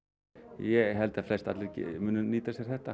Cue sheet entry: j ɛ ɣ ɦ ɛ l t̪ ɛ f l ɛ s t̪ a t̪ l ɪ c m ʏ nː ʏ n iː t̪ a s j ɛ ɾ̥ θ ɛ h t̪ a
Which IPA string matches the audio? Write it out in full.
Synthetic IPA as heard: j ɛ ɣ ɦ ɛ l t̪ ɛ f l ɛ s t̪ a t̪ l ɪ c m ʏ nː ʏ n iː t̪ a s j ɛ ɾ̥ θ ɛ h t̪ a